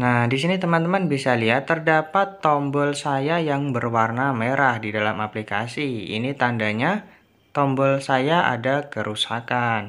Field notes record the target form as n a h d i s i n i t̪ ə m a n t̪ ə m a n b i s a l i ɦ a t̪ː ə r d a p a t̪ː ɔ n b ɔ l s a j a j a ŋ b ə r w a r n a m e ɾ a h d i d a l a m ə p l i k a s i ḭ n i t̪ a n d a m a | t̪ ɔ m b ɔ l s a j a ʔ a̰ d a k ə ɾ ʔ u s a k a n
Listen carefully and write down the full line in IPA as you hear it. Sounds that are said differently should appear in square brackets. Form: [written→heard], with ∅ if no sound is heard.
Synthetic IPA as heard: n a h d i s i n i t̪ ə m a n t̪ ə m a n b i s a l i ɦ a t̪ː ə r d a p a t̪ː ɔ [n→m] b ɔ l s a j a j a ŋ b ə r w a r n a m e ɾ a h d i d a l a m [ə→a] p l i k a s i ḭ n i t̪ a n d a [m→ɲ] a | t̪ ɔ m b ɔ l s a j a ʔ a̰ d a k ə ɾ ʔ u s a k a n

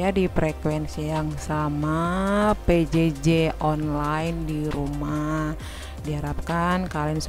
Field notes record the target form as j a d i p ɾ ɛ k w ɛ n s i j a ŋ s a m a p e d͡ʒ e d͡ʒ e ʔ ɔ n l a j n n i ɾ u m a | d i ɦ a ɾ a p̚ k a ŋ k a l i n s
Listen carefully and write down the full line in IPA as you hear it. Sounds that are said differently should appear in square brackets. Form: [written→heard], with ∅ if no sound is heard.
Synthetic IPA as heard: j a d i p ɾ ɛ k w ɛ n s i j a ŋ s a m a p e d͡ʒ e d͡ʒ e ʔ ɔ n l a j n [n→d] i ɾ u m a | d i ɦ a ɾ a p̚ k a [ŋ→n] k a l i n s

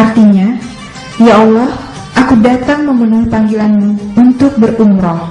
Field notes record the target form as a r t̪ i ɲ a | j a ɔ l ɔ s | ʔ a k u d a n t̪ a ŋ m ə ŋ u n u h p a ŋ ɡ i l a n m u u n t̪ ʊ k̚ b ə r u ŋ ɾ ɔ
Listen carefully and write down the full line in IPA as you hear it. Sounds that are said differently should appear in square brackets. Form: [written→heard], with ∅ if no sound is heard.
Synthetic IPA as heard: a r t̪ i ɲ a | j a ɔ l ɔ [s→h] | ʔ a k u d a [n→∅] t̪ a ŋ m ə [ŋ→m] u n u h p a ŋ ɡ i l a n m u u n t̪ ʊ k̚ b ə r u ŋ ɾ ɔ

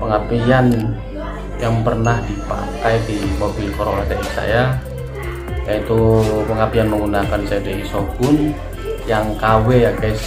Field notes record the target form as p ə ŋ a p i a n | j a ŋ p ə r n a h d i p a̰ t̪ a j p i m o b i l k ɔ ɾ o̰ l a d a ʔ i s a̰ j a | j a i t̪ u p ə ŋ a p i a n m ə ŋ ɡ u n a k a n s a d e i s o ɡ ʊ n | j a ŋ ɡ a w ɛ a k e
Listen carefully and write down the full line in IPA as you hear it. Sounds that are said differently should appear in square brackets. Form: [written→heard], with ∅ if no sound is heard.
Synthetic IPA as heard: p ə ŋ a p i a n | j a ŋ p ə r n a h d i p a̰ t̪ a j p i m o b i l k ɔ ɾ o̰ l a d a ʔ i s a̰ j a | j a i t̪ u p ə ŋ a p i a n m ə ŋ ɡ u n a k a n s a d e i s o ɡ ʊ n | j a ŋ [ɡ→k] a w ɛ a k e

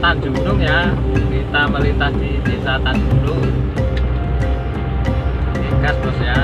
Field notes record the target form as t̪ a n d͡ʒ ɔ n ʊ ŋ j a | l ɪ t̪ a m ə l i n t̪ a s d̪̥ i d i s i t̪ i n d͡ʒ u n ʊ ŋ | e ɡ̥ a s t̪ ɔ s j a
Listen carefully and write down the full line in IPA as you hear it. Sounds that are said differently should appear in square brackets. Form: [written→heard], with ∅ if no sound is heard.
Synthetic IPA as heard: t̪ a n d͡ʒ [ɔ→u] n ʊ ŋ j a | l [ɪ→i] t̪ a m ə l i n t̪ a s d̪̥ i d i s [i→a] t̪ [i→a] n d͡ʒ u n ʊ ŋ | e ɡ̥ a s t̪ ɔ s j a

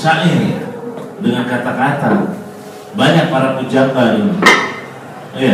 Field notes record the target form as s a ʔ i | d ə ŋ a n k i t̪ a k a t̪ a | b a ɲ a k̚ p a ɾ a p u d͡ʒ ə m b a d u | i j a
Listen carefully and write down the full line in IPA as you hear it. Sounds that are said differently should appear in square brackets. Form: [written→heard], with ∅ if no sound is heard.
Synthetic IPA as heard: s a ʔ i | d ə ŋ a n k [i→a] t̪ a k a t̪ a | b a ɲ a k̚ p a ɾ a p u d͡ʒ [ə→a] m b a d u | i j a

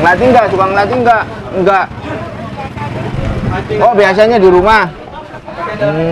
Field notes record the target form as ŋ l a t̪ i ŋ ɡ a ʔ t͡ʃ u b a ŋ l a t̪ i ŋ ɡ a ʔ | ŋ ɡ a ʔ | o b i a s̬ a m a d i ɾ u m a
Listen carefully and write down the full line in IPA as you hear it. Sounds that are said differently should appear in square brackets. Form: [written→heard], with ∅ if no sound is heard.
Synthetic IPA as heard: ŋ l a t̪ i ŋ ɡ a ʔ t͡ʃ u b a ŋ l a t̪ i ŋ ɡ a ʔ | ŋ ɡ a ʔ | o b i a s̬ a [m→ɲ] a d i ɾ u m a

